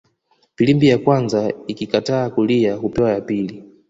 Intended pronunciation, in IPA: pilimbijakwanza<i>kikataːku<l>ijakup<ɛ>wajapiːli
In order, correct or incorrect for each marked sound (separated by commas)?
correct, correct, correct